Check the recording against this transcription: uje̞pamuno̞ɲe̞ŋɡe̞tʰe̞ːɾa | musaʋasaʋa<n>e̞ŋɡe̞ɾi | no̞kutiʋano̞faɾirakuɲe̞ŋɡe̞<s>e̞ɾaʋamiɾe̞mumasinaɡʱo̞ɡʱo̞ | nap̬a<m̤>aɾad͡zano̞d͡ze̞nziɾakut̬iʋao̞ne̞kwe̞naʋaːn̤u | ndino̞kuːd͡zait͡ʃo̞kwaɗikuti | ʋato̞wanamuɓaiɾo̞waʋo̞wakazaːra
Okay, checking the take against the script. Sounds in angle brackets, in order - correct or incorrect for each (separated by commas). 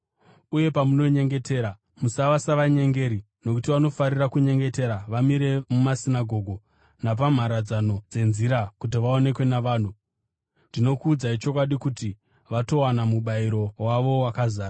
incorrect, incorrect, correct